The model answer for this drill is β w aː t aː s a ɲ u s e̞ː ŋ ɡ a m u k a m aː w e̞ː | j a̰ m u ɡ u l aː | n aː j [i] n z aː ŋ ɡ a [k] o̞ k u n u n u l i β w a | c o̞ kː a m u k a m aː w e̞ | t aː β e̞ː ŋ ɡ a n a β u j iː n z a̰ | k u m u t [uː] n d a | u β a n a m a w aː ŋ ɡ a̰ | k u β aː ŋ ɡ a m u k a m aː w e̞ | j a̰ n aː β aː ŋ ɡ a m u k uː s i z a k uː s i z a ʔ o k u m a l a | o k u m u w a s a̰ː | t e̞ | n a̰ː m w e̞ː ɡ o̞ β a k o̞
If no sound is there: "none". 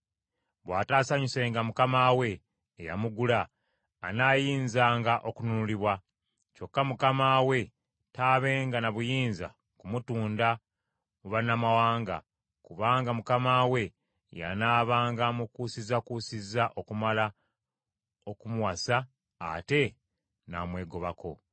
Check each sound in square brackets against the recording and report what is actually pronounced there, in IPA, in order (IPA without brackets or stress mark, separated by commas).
iː, ʔ, uː